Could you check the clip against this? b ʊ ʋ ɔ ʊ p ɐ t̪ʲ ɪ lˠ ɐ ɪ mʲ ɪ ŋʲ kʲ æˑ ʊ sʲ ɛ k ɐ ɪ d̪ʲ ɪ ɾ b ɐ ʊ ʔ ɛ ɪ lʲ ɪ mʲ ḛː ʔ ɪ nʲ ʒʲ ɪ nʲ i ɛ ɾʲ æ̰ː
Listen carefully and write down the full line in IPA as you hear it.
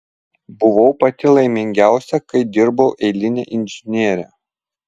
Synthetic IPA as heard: b ʊ ʋ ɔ ʊ p ɐ t̪ʲ ɪ lˠ ɐ ɪ mʲ ɪ ŋʲ ɡʲ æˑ ʊ sʲ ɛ k ɐ ɪ d̪ʲ ɪ ɾ b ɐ ʊ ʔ ɛ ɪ lʲ ɪ nʲ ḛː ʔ ɪ nʲ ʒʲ ɪ nʲ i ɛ ɾʲ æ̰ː

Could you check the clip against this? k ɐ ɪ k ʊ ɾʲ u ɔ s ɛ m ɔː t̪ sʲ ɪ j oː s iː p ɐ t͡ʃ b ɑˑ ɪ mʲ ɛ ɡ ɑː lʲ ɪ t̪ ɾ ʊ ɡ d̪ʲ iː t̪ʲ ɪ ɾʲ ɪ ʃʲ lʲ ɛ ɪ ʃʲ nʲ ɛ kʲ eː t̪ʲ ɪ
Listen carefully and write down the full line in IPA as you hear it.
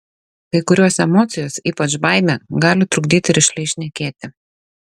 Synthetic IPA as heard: k ɐ ɪ k ʊ ɾʲ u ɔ s ɛ m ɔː t̪ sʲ ɪ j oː s iː p ɐ t͡ʃ b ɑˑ ɪ mʲ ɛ ɡ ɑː lʲ ɪ t̪ ɾ ʊ ɡ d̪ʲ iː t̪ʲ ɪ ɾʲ ɪ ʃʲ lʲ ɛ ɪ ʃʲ nʲ ɛ kʲ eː t̪ʲ ɪ

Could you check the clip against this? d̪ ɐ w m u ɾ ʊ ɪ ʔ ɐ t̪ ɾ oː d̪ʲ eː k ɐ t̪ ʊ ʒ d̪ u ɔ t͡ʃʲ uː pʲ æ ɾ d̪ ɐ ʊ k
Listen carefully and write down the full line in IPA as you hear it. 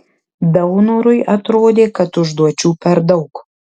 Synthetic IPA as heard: d̪ ɐ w n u ɾ ʊ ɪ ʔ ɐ t̪ ɾ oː d̪ʲ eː k ɐ t̪ ʊ ʒ d̪ u ɔ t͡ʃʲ uː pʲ ɛ ɾ d̪ ɐ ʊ k

